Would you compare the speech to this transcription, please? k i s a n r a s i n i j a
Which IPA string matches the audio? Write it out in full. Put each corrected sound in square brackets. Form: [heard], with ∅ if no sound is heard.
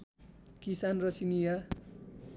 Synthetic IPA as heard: k i s a n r [ʌ] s i n i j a